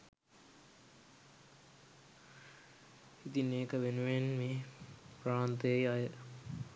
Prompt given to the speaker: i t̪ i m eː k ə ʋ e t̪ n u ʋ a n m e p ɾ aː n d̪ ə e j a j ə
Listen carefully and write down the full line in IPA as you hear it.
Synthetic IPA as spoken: i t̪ i n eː k ə ʋ e n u ʋ e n m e p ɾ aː n t̪ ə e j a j ə